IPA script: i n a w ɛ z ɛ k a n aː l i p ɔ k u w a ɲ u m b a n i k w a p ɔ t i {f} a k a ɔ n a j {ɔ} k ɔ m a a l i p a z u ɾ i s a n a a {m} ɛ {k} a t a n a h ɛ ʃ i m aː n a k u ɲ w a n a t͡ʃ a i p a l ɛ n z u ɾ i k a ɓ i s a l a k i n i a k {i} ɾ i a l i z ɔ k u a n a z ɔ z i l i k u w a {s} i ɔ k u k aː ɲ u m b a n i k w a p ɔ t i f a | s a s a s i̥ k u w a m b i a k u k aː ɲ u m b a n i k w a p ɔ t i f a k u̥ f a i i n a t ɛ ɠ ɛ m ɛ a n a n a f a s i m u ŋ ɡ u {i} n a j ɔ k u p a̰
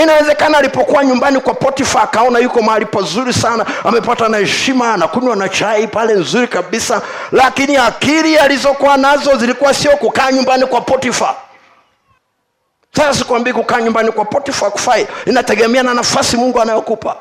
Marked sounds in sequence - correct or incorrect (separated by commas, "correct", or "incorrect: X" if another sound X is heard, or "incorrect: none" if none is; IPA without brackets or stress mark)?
correct, incorrect: u, correct, incorrect: p, correct, correct, incorrect: a